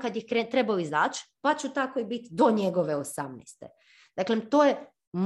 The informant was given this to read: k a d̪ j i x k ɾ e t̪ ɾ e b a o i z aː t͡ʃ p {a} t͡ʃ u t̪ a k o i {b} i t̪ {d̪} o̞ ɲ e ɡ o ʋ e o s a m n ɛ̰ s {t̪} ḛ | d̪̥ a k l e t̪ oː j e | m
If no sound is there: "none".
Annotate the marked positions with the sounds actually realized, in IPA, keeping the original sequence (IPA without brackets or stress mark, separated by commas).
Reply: a, b, d̪, t̪